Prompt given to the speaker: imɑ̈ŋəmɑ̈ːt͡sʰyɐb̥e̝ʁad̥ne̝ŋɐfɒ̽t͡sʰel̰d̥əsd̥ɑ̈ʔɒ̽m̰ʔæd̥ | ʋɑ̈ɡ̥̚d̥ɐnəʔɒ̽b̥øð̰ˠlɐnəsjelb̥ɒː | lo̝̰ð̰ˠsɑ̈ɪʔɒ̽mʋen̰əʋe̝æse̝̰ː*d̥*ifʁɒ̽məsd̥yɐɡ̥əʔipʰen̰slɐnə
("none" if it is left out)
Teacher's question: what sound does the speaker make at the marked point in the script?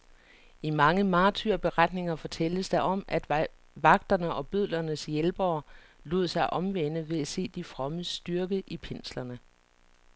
d̥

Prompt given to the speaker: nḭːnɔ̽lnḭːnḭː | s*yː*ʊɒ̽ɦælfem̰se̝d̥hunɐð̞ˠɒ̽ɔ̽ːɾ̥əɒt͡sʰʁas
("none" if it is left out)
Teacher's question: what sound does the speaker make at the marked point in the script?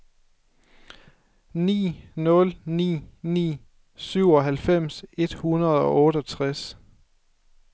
y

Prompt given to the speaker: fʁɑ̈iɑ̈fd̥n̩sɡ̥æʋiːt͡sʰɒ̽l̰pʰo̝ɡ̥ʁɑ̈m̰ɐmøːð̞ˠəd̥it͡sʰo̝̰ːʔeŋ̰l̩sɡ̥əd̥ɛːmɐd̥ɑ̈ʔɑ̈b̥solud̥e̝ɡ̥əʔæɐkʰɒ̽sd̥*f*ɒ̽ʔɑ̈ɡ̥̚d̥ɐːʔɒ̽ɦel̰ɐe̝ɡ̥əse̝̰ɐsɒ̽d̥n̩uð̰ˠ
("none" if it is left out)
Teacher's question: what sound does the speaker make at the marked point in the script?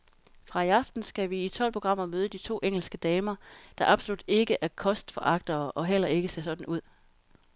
f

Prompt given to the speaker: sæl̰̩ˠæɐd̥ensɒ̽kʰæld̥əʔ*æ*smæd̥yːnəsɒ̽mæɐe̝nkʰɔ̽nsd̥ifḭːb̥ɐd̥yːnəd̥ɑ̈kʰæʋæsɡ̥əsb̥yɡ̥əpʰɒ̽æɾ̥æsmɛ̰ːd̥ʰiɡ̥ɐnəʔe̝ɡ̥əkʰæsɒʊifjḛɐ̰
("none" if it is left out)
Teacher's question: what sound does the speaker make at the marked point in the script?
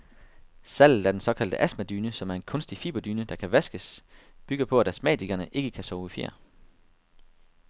æ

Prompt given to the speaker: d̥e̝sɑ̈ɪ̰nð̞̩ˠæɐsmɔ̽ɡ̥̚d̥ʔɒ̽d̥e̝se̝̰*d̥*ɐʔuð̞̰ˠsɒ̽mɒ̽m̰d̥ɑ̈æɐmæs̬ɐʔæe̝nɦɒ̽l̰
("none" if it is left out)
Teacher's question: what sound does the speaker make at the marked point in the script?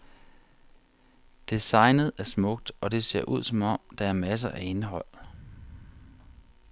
none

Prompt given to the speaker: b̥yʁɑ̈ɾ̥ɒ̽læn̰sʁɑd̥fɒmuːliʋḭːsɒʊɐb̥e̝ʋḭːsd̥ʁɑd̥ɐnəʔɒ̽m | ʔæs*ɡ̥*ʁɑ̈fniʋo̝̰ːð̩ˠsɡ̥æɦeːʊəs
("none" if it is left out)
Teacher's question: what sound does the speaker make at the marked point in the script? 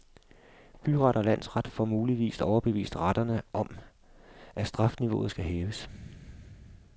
d̥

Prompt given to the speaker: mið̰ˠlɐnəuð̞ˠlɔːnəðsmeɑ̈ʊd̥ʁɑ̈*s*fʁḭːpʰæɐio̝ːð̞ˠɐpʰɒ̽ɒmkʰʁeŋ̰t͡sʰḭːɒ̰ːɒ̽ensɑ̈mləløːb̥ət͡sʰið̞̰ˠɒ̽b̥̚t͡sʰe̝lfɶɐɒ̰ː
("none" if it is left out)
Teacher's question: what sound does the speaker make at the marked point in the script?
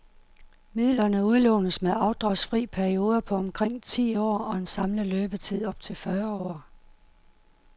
s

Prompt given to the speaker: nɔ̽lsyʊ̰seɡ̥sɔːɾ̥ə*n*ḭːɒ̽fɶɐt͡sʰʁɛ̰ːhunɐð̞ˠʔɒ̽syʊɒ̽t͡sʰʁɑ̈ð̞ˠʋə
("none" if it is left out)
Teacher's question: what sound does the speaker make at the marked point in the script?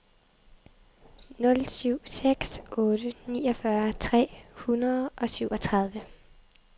n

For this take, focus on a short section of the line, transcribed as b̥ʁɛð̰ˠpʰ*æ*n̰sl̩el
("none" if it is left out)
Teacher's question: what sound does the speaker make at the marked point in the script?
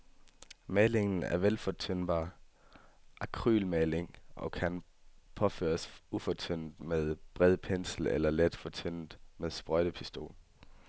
e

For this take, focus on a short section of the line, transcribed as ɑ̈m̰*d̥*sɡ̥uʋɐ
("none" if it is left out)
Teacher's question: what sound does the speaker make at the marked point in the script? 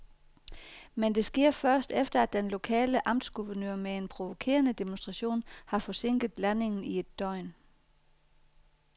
d̥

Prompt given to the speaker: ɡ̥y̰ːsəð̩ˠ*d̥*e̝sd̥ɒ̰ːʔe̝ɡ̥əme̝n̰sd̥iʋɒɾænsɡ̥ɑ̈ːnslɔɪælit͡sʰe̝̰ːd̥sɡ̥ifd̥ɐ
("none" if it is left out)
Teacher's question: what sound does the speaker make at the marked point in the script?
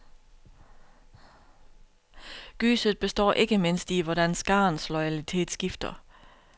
b̥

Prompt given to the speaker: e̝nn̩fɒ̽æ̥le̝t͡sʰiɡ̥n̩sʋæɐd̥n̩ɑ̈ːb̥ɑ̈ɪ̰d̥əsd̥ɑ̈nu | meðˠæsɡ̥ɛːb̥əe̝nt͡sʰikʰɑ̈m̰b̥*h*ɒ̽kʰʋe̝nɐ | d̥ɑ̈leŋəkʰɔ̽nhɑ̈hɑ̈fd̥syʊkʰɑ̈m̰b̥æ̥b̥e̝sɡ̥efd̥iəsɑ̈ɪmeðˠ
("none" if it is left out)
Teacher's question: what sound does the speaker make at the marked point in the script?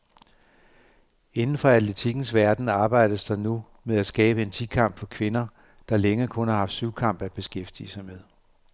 f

